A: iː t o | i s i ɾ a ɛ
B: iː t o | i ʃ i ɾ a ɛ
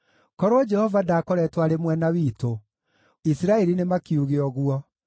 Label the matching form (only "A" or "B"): A